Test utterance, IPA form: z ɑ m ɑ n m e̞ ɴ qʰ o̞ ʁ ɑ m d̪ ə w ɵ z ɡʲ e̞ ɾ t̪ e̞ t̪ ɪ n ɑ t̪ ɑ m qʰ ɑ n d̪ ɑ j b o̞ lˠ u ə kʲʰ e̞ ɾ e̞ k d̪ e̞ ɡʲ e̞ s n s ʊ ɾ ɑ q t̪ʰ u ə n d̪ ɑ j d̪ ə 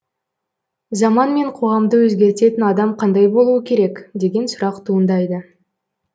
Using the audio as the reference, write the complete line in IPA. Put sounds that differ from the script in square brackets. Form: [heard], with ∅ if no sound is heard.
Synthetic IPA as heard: z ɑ m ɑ n m e̞ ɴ qʰ o̞ ʁ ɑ m d̪ ə w ɵ z ɡʲ e̞ ɾ t̪ e̞ t̪ ɪ n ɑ [d̪] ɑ m qʰ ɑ n d̪ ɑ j b o̞ lˠ u ə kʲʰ e̞ ɾ e̞ k d̪ e̞ ɡʲ e̞ [∅] n s ʊ ɾ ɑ q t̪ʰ u ə n d̪ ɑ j d̪ ə